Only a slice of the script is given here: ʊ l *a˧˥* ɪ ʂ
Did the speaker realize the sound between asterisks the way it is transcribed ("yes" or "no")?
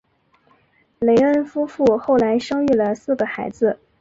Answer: yes